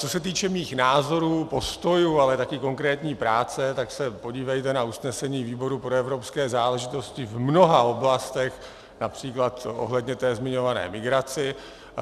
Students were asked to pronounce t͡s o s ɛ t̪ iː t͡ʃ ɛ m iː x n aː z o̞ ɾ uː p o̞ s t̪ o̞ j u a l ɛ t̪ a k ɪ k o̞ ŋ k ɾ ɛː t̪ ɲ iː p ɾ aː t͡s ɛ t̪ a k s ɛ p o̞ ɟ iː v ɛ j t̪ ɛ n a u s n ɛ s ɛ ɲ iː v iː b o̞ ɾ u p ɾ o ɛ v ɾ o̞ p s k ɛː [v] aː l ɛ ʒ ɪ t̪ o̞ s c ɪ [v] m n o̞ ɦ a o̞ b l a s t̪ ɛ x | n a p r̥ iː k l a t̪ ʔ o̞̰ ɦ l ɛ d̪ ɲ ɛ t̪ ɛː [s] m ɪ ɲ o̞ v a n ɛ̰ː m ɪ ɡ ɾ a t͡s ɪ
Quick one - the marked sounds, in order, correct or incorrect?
incorrect, correct, incorrect

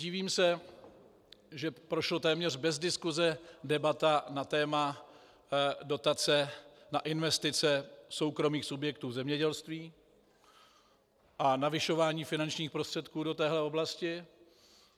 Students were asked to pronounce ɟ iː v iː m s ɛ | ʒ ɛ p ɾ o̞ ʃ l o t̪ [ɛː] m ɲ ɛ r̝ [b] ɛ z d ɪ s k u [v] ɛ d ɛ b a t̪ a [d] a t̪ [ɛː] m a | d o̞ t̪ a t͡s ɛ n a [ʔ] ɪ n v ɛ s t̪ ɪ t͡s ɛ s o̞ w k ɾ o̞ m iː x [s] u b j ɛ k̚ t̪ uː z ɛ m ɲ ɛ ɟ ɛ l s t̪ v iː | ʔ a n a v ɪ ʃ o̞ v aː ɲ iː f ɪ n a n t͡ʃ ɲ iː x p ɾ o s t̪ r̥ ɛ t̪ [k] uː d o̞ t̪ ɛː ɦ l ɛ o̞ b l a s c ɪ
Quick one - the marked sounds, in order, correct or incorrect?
correct, correct, incorrect, incorrect, correct, correct, correct, correct

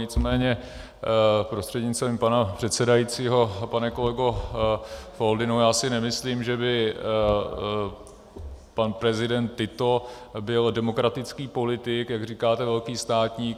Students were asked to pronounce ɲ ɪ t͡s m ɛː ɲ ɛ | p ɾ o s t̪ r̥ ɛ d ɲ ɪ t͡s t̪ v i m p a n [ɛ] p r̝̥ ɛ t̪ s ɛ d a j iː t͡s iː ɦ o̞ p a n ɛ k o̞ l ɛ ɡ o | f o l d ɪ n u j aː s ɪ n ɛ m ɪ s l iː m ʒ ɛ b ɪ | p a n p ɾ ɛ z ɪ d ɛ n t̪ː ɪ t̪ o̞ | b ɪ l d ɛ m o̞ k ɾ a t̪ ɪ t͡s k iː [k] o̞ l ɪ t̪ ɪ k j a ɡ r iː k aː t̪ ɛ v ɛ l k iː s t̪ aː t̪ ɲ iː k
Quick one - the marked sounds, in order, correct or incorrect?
incorrect, incorrect

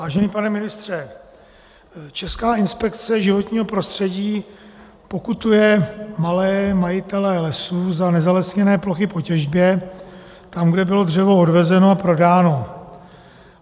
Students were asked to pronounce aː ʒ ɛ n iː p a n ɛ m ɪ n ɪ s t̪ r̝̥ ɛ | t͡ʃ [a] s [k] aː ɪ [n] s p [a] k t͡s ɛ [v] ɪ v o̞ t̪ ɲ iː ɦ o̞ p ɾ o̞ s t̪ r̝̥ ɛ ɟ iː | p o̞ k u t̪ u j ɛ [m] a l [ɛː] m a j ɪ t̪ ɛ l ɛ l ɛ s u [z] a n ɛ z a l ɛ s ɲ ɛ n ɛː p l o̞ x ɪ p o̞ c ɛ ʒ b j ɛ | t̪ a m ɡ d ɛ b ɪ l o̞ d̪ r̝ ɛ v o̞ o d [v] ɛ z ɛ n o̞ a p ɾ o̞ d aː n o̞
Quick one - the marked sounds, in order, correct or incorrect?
incorrect, correct, correct, incorrect, incorrect, correct, correct, correct, correct

